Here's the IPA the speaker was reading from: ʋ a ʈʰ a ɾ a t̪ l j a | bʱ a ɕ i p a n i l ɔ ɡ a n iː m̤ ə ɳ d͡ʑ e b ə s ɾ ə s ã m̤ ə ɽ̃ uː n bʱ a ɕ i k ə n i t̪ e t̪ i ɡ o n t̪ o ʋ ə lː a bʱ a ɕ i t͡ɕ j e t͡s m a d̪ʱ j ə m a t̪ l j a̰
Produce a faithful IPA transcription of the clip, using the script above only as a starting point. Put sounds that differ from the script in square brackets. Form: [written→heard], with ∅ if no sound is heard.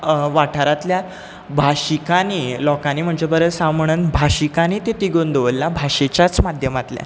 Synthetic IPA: ʋ a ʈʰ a ɾ a t̪ l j a | bʱ a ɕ i [p→k] a n i l ɔ [ɡ→k] a n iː m̤ ə ɳ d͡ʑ e b ə [s→∅] ɾ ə s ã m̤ ə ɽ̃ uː n bʱ a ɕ i k [ə→a] n i t̪ e t̪ i ɡ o n [t̪→d̪] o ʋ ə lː a bʱ a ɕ [i→e] t͡ɕ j [e→a] t͡s m a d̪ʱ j ə m a t̪ l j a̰